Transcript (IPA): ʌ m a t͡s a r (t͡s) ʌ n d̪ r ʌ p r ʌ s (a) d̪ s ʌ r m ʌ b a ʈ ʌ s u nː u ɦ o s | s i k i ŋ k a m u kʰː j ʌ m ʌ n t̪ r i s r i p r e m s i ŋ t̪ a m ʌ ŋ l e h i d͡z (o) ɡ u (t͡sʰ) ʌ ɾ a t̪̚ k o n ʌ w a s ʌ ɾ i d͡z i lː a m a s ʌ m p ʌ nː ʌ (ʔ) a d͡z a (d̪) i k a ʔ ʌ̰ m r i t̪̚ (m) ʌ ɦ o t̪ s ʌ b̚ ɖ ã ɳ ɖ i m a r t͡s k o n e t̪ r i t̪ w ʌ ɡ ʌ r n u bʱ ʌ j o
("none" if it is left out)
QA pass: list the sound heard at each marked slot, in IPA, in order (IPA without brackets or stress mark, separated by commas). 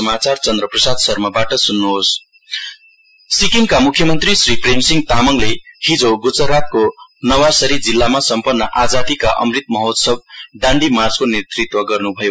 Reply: t͡s, a, o, t͡s, ʔ, d̪, m